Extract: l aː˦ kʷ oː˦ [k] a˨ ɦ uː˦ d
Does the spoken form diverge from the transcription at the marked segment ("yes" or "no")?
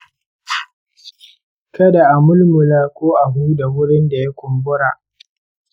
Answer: yes